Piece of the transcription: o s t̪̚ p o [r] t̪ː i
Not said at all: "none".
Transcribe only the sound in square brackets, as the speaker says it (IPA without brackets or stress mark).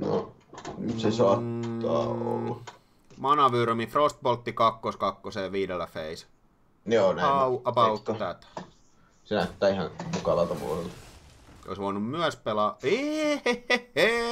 l